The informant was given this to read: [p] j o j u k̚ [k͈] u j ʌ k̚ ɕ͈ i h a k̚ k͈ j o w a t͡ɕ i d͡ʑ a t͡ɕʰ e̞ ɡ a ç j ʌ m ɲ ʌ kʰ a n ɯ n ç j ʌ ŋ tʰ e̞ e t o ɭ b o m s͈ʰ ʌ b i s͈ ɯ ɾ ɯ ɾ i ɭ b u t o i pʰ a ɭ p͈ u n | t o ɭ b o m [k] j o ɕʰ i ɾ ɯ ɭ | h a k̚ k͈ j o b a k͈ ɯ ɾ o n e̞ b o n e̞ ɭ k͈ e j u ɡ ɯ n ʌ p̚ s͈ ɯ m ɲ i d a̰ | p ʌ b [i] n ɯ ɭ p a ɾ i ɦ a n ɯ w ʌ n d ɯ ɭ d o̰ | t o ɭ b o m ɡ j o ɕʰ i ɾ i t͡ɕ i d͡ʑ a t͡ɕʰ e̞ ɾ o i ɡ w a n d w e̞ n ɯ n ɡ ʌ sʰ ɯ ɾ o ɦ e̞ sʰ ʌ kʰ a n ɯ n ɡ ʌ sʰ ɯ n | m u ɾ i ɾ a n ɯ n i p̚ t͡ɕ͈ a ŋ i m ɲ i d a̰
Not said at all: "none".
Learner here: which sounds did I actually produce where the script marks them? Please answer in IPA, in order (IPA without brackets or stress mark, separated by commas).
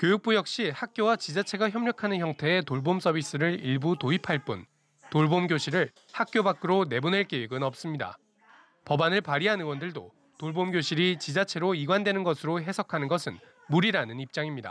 k, p͈, ɡ, a